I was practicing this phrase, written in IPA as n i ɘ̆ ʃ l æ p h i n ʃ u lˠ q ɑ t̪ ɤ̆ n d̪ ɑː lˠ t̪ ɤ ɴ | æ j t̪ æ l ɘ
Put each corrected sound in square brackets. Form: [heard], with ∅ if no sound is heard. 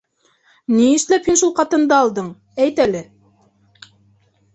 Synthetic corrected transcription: n i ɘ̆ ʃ l æ p h i n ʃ u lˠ q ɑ t̪ ɤ̆ n d̪ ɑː lˠ [d̪] ɤ ɴ | æ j t̪ æ l ɘ